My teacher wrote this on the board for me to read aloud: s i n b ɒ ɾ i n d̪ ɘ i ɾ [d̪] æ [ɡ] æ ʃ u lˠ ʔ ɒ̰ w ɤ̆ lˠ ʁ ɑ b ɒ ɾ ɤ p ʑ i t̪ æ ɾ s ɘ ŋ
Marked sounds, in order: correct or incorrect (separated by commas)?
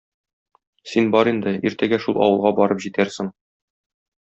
incorrect, correct